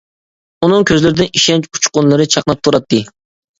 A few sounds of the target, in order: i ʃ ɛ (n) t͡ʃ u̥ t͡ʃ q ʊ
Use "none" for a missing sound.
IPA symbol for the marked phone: n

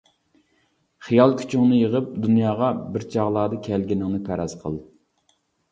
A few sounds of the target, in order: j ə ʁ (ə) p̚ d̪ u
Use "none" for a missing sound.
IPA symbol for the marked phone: ə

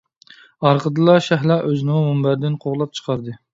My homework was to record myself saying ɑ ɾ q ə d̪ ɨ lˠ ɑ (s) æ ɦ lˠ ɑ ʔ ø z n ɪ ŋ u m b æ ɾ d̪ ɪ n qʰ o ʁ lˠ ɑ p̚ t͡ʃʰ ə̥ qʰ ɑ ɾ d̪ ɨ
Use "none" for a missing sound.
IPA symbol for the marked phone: ʃ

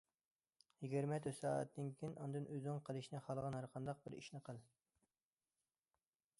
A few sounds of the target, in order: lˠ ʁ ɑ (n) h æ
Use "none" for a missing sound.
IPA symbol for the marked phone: n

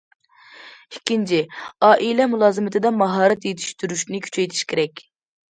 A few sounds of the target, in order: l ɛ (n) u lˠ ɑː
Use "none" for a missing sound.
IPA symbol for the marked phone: m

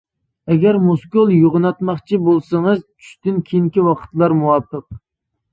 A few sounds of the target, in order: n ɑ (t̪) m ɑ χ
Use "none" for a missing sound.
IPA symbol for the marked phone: t̪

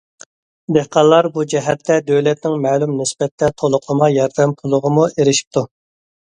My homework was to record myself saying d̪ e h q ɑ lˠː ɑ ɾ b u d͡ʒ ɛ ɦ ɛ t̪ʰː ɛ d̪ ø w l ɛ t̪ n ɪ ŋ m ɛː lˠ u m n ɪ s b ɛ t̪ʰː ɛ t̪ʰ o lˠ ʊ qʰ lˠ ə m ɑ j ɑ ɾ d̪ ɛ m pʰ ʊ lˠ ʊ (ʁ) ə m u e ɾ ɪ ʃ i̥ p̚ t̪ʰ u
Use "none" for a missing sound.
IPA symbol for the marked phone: ʁ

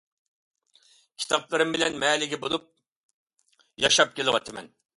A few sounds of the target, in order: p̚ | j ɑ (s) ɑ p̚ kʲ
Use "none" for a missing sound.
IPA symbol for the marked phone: ʃ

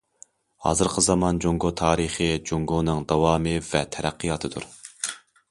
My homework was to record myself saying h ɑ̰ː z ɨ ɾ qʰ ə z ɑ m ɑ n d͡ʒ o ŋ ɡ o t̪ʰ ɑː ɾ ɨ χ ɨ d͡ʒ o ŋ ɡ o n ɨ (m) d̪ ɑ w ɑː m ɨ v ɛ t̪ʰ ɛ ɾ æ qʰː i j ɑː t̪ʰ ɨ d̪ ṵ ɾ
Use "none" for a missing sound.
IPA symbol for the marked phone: ŋ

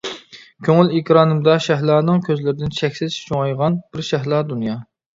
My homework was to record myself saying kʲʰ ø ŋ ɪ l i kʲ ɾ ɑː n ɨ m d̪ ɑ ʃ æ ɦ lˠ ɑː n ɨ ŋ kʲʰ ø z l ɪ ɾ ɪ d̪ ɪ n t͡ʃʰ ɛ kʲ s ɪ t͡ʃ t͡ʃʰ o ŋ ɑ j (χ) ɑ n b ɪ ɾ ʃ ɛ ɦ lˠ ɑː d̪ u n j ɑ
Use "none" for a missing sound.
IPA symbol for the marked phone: ʁ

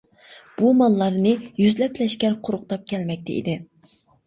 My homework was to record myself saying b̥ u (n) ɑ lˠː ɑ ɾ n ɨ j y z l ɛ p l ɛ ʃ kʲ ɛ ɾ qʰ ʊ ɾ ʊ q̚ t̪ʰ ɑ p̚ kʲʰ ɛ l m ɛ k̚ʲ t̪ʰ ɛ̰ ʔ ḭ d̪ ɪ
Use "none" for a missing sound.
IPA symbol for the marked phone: m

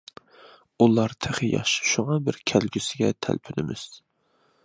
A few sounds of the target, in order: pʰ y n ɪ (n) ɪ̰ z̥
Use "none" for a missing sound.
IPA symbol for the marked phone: m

